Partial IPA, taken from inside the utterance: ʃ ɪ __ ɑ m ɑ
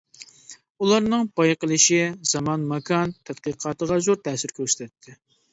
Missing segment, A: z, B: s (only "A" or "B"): A